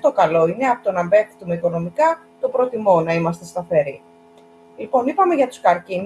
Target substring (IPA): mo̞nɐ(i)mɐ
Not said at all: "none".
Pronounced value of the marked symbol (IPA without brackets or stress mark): i